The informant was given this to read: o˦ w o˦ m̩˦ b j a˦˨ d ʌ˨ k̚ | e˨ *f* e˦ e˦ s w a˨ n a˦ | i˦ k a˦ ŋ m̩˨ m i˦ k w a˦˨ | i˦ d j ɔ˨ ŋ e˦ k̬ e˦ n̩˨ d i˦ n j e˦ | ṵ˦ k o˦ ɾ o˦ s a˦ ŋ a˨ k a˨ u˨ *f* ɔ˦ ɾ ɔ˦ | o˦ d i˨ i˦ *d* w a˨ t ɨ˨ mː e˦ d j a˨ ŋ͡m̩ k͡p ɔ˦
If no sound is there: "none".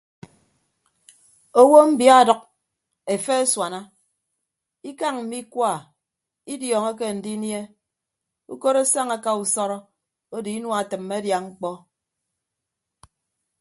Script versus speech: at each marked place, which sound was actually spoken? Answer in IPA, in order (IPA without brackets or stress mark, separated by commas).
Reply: f, s, n